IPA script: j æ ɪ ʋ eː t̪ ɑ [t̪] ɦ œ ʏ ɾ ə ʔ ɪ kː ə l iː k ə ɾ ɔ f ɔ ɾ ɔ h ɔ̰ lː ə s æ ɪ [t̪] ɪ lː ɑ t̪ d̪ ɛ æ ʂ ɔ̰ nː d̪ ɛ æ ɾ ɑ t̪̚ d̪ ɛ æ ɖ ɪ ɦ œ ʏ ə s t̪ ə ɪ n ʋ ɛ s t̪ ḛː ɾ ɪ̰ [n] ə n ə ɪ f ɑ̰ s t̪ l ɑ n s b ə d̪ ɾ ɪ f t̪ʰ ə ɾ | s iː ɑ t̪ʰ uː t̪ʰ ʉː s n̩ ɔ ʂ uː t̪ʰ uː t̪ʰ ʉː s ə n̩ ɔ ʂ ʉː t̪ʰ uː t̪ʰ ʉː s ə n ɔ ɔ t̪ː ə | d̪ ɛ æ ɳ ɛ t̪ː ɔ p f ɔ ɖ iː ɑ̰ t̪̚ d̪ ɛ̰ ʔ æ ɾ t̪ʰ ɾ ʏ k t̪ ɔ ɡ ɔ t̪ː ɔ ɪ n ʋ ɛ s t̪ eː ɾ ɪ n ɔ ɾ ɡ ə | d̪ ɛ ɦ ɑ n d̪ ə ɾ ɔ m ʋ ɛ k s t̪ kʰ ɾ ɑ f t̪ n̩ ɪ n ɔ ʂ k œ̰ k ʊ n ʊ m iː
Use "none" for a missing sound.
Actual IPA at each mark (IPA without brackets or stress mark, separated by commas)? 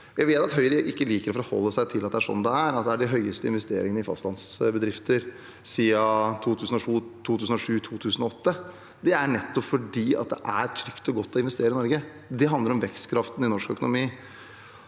t̪, t̪ʰ, ŋ